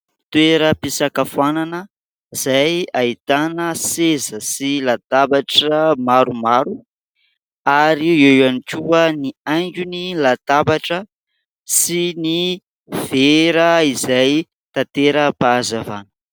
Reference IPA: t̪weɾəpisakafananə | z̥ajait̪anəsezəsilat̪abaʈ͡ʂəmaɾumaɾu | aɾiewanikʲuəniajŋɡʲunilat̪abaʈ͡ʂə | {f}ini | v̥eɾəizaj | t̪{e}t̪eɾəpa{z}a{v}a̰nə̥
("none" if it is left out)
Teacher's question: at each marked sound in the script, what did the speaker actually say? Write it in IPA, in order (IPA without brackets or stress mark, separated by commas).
s, a, z, v